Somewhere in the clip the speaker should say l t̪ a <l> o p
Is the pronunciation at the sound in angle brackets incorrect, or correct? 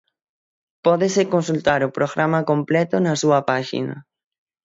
incorrect